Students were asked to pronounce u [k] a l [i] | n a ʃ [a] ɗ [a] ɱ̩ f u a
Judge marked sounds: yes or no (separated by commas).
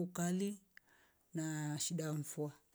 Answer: yes, yes, no, yes